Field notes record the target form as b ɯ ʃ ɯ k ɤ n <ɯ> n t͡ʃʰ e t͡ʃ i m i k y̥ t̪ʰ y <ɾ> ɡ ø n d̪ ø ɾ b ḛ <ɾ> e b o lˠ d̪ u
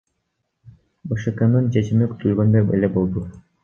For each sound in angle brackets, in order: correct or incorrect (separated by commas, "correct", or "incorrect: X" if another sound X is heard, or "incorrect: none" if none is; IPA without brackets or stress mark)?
correct, incorrect: l, incorrect: l